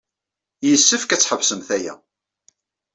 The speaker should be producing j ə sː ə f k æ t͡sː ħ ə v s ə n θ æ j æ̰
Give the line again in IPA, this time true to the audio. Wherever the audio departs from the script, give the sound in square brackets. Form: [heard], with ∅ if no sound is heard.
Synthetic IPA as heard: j ə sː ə f k æ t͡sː ħ ə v s ə [m] θ æ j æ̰